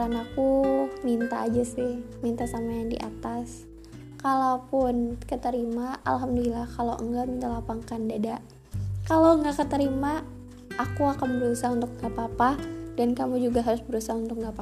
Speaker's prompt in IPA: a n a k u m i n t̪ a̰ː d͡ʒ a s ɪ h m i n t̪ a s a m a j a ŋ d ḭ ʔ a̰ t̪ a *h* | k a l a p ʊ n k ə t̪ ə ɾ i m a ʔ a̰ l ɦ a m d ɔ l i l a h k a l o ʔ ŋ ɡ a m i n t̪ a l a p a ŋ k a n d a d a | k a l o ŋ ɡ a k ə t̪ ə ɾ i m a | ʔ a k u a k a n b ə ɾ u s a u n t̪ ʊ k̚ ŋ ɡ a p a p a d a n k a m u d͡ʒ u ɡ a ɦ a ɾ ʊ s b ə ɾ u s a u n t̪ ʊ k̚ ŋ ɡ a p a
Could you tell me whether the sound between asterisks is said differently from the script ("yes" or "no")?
yes